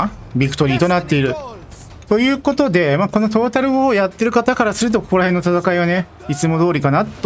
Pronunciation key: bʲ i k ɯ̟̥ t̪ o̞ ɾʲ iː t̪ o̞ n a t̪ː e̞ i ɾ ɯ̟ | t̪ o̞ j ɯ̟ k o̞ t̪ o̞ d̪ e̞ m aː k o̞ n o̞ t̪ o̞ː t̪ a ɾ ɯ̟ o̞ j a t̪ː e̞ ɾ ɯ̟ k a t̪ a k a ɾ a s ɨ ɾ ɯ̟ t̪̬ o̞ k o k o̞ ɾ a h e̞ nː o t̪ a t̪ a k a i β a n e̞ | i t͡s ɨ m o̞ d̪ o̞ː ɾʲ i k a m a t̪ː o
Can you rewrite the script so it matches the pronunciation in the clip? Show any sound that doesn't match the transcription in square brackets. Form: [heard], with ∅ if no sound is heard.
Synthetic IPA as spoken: bʲ i k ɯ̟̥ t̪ o̞ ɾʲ iː t̪ o̞ n a t̪ː e̞ i ɾ ɯ̟ | t̪ o̞ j [ɯ̟ː] k o̞ t̪ o̞ d̪ e̞ m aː k o̞ n o̞ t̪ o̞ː t̪ a ɾ ɯ̟ o̞ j a t̪ː e̞ ɾ ɯ̟ k a t̪ a k a ɾ a s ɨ ɾ ɯ̟ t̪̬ o̞ k o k o̞ ɾ a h e̞ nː o t̪ a t̪ a k a i β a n e̞ | i t͡s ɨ m o̞ d̪ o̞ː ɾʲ i k a [n] a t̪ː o